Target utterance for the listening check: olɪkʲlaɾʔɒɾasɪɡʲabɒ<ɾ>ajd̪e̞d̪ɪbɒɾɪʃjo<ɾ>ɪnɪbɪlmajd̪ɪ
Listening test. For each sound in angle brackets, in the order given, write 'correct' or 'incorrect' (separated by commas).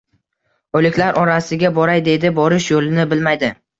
correct, incorrect